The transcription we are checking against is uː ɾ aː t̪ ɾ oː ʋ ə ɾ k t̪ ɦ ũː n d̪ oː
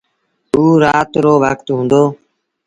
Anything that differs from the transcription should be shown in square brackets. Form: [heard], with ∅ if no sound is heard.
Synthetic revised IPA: uː ɾ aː t̪ ɾ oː ʋ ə [∅] k t̪ ɦ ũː n d̪ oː